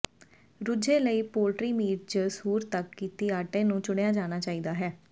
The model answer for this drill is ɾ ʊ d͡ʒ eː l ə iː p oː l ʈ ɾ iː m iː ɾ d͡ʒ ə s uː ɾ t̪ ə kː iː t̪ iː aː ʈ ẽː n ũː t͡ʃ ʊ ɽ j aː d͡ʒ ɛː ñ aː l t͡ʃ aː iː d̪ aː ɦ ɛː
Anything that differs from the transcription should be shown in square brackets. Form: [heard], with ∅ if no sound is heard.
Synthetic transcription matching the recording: ɾ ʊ d͡ʒ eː l ə iː p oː l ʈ ɾ iː m iː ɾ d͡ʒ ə s uː ɾ t̪ ə kː iː t̪ iː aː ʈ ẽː n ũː t͡ʃ ʊ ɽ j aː d͡ʒ [aː] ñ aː [∅] t͡ʃ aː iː d̪ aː ɦ ɛː